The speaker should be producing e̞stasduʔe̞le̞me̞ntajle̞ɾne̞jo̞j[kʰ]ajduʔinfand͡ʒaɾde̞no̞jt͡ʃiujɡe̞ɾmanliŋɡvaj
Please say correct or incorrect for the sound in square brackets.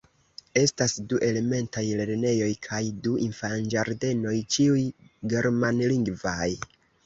correct